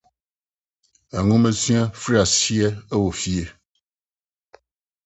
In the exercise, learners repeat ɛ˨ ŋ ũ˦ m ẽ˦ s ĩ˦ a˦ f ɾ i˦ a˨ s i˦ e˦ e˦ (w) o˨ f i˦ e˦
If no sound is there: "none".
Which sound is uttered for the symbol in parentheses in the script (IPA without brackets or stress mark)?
w